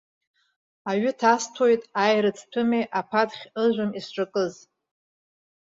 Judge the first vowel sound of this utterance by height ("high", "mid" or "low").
low